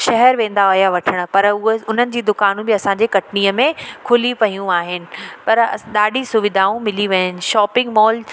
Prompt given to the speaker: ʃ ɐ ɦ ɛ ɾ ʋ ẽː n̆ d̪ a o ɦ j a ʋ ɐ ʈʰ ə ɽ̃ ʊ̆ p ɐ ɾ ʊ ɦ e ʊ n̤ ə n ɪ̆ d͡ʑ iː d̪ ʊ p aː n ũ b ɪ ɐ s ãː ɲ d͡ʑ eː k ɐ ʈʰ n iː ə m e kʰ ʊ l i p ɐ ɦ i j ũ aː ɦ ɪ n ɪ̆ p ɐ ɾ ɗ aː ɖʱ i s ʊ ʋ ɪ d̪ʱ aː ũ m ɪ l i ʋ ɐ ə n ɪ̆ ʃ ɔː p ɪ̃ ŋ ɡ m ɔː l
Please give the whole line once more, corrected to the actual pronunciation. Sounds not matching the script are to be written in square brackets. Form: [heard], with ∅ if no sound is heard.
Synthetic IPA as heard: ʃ ɐ ɦ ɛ ɾ ʋ ẽː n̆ d̪ a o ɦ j a ʋ ɐ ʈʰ ə ɽ̃ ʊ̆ p ɐ ɾ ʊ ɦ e ʊ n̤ ə n ɪ̆ d͡ʑ iː d̪ ʊ [k] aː n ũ b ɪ ɐ s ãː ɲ d͡ʑ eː k ɐ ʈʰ n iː ə m [ẽ] kʰ ʊ l i p ɐ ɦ i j ũ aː ɦ ɪ n ɪ̆ p ɐ ɾ ɗ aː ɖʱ i s ʊ ʋ ɪ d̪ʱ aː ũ m ɪ l i ʋ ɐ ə n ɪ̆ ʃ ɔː p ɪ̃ ŋ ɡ m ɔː l